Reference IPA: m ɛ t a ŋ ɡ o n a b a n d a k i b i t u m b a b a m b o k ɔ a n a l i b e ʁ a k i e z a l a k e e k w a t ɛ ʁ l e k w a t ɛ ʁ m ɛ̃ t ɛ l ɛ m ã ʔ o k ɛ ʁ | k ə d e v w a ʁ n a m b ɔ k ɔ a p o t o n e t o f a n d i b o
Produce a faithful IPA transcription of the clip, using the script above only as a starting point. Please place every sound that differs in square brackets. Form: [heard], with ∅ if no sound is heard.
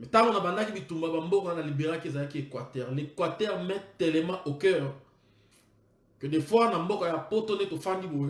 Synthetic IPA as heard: m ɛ t a ŋ ɡ o n a b a n d a k i b i t u m b a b a m b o k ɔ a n a l i b e ʁ a k i e z a l a k [i] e k w a t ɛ ʁ l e k w a t ɛ ʁ m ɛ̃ t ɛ l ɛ m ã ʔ o k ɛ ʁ | k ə d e [f] w a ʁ n a m b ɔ k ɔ a p o t o n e t o f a n d i b o